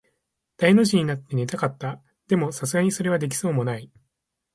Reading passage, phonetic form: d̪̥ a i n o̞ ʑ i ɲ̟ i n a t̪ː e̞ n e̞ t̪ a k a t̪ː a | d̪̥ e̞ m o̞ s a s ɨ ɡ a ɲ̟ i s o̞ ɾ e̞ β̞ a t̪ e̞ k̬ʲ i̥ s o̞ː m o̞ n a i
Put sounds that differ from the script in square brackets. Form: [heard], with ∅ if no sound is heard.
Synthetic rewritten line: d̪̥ a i n o̞ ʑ i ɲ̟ i n a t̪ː e̞ n e̞ t̪ a k a t̪ː a | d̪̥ e̞ m o̞ s a s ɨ ɡ a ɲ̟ i s o̞ ɾ e̞ β̞ a [d̪] e̞ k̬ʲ i̥ s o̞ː m o̞ n a i